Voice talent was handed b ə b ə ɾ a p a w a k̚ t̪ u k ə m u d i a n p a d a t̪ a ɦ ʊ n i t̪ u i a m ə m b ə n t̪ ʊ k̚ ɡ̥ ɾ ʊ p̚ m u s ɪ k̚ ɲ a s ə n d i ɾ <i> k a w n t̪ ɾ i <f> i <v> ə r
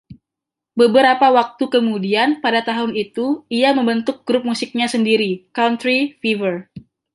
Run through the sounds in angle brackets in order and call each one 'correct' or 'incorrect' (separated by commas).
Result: correct, correct, correct